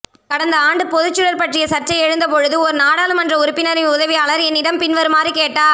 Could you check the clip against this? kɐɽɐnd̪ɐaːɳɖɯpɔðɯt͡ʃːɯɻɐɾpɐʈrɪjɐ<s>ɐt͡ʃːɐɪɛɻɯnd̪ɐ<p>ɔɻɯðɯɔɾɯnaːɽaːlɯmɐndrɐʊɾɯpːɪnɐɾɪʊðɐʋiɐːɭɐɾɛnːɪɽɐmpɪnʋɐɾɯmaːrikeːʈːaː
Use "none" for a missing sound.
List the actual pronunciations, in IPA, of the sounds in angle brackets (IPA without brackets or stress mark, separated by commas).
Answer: s, p